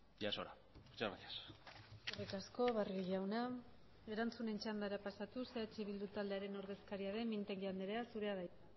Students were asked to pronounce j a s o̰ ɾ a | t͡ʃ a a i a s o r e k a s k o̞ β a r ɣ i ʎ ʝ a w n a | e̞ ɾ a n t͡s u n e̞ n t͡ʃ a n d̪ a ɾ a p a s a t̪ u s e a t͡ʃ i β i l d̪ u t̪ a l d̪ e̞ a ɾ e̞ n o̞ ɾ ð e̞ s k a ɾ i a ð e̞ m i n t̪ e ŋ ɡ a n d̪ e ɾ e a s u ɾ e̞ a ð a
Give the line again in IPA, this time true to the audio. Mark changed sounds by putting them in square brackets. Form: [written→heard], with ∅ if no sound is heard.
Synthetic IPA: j a s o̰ ɾ a | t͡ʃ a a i a s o r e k a s k o̞ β a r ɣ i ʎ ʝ a w n a | e̞ ɾ a n t͡s u n e̞ n t͡ʃ a n d̪ a ɾ a p a s a t̪ u s e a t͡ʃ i β i l d̪ u t̪ a l d̪ e̞ a ɾ e̞ n o̞ ɾ ð e̞ s k a ɾ i a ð e̞ m i n t̪ e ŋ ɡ a n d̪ e ɾ e a s u ɾ e̞ a ð a